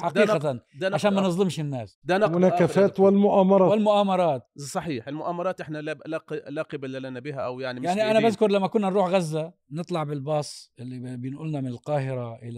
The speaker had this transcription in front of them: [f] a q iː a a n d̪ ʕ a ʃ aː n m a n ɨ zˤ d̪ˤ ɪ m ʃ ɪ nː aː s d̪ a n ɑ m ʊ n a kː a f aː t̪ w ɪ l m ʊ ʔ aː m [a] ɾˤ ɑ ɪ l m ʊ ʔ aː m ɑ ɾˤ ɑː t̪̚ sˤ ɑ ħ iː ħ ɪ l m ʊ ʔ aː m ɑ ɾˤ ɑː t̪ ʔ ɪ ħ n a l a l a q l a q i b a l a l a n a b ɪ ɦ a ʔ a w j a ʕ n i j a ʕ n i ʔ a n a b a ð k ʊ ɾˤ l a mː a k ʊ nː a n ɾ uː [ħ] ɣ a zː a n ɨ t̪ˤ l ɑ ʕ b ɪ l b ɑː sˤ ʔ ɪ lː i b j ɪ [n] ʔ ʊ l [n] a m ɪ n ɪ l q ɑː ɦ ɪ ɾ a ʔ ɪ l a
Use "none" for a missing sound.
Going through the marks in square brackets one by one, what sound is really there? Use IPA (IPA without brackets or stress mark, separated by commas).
ħ, ɑ, ħ, n, n